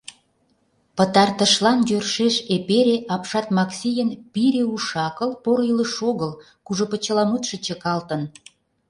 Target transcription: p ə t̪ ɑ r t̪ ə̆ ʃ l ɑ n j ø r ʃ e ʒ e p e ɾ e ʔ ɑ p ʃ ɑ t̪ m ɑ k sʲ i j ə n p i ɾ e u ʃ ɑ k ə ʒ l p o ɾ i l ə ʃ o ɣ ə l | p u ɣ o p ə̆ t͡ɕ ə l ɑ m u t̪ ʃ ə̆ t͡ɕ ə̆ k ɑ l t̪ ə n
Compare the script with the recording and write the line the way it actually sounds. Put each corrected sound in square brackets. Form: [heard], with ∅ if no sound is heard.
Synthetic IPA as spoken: p ə t̪ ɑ r t̪ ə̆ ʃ l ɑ n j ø r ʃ e [ʃ] e p e ɾ e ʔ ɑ p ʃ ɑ t̪ m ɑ k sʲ i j ə n p i ɾ e u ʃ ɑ k ə [∅] l p o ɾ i l ə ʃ o ɣ ə l | [k] u [ʒ] o p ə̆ t͡ɕ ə l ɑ m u t̪ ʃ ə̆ t͡ɕ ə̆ k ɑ l t̪ ə n